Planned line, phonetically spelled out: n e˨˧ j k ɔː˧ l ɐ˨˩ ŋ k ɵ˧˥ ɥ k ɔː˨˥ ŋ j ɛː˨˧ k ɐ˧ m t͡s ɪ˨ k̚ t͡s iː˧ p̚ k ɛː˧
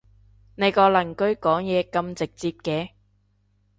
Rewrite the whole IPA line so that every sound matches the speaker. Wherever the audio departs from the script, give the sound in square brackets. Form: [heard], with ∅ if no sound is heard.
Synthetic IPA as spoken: n e˨˧ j k ɔː˧ l ɐ˨˩ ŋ k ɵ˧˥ ɥ k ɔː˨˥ ŋ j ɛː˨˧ k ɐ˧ m t͡s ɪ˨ k̚ t͡s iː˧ p̚ k ɛː˧

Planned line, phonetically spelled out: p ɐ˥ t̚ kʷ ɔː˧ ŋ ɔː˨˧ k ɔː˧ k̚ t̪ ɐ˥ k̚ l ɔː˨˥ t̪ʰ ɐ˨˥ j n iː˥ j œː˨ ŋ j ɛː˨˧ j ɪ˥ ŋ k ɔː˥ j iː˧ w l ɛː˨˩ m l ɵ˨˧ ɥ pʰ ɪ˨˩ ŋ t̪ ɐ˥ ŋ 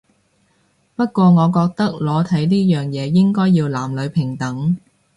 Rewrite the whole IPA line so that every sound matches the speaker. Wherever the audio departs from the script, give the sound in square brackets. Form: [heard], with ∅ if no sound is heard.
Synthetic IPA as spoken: p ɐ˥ t̚ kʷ ɔː˧ ŋ ɔː˨˧ k ɔː˧ k̚ t̪ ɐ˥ k̚ l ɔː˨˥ t̪ʰ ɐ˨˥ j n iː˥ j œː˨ ŋ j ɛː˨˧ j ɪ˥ ŋ k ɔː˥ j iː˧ w l [aː˨˩] m l ɵ˨˧ ɥ pʰ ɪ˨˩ ŋ t̪ [ɐ˨˥] ŋ

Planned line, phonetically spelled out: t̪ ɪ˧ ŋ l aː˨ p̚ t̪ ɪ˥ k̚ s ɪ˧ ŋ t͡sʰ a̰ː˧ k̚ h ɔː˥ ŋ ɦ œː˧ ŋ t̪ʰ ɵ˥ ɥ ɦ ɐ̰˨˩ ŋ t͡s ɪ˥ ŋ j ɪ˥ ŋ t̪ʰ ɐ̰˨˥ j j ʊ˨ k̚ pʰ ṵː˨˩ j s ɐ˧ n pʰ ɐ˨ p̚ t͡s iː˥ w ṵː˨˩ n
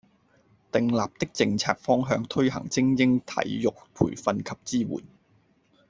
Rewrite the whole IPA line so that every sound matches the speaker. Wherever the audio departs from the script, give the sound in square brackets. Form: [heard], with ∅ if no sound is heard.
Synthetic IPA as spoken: t̪ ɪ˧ ŋ l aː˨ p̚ t̪ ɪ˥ k̚ [t͡s] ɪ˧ ŋ t͡sʰ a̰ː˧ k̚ [f] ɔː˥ ŋ ɦ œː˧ ŋ t̪ʰ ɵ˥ ɥ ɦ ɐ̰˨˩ ŋ t͡s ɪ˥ ŋ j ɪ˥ ŋ t̪ʰ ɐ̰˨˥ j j ʊ˨ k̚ pʰ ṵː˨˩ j [f] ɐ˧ n [kʰ] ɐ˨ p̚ t͡s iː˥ w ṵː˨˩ n

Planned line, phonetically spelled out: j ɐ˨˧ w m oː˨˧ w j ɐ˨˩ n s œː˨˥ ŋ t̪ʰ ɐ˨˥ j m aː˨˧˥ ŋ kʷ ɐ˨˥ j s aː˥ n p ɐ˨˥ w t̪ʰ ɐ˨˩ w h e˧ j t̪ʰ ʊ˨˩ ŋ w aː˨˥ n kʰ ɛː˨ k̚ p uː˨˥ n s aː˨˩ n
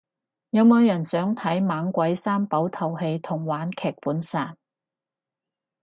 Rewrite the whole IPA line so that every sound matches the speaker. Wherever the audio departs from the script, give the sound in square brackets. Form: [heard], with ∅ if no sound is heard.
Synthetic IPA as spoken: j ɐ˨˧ w m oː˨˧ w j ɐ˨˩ n s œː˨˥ ŋ t̪ʰ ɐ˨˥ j m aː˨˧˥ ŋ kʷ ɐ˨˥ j s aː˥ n p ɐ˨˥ w t̪ʰ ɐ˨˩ w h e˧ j t̪ʰ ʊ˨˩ ŋ w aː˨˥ n kʰ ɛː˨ k̚ p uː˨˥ n s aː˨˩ n

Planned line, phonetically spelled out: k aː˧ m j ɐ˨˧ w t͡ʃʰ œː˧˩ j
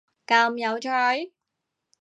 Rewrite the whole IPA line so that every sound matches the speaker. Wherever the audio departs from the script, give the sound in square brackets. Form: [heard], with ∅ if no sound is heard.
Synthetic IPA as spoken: k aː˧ m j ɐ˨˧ w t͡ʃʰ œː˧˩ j

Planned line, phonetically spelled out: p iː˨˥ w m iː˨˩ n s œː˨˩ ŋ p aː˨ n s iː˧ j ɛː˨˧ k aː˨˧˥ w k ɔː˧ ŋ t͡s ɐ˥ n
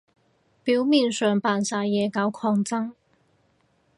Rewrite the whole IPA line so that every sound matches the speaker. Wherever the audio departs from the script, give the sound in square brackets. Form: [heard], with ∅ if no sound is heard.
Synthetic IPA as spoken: p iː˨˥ w m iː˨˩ n s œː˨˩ ŋ p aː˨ n s [aː˧] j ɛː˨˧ k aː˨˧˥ w [kʰ] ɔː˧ ŋ t͡s ɐ˥ [ŋ]

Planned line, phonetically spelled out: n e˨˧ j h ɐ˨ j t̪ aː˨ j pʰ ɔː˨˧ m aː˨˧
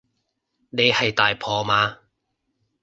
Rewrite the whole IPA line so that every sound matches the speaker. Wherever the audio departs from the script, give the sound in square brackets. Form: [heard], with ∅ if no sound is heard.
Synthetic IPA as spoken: n e˨˧ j h ɐ˨ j t̪ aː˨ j pʰ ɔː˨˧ m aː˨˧

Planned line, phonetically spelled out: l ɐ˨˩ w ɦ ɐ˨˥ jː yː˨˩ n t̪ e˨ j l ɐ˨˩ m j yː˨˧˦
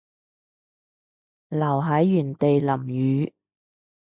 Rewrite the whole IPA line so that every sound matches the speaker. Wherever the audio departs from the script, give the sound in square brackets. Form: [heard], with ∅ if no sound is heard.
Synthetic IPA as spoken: l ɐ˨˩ w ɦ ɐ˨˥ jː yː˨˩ n t̪ e˨ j l ɐ˨˩ m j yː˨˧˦

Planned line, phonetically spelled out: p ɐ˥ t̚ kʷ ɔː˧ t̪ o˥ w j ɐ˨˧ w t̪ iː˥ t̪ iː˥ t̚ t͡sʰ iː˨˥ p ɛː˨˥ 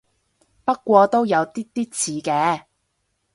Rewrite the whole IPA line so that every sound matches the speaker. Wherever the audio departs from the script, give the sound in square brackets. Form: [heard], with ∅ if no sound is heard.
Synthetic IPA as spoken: p ɐ˥ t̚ kʷ ɔː˧ t̪ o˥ w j ɐ˨˧ w t̪ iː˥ t̪ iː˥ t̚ t͡sʰ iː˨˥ [k] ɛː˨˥

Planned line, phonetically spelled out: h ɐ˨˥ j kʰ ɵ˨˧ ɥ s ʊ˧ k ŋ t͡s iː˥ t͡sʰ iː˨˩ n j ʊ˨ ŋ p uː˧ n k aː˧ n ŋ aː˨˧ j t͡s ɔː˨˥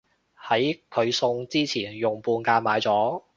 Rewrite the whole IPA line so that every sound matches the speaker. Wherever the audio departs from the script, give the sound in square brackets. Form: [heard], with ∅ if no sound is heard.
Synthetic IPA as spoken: h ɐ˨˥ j kʰ ɵ˨˧ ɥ s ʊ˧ [∅] ŋ t͡s iː˥ t͡sʰ iː˨˩ n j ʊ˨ ŋ p uː˧ n k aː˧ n [m] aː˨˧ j t͡s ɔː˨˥

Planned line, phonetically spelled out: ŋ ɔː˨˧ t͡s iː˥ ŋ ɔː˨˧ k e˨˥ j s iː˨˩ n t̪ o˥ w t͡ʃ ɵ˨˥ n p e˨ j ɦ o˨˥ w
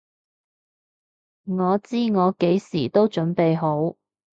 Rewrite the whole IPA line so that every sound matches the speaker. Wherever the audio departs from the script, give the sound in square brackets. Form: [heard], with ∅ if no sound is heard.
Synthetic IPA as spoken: ŋ ɔː˨˧ t͡s iː˥ ŋ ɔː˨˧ k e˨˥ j s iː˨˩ [∅] t̪ o˥ w t͡ʃ ɵ˨˥ n p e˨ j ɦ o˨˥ w

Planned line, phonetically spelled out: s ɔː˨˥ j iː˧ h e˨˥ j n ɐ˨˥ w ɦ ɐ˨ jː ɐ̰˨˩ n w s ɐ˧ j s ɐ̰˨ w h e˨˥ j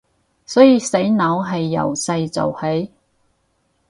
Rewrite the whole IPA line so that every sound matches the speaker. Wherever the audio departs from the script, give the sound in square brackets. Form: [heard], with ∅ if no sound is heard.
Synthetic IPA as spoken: s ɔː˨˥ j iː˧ [s] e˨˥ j n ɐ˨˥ w ɦ ɐ˨ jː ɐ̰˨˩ [∅] w s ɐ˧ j [t͡s] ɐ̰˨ w h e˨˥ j

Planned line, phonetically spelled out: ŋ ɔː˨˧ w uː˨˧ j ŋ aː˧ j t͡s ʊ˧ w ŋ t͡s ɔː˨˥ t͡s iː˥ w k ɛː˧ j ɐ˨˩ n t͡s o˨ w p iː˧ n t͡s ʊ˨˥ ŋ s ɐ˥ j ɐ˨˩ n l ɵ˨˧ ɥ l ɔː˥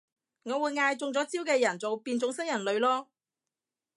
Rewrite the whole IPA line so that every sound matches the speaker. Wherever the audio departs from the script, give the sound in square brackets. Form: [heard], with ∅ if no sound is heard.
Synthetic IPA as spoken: ŋ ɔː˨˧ w uː˨˧ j ŋ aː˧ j t͡s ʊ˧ [∅] ŋ t͡s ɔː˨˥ t͡s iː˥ w k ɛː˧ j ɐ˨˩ n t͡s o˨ w p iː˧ n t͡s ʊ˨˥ ŋ s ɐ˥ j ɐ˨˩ n l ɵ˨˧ ɥ l ɔː˥

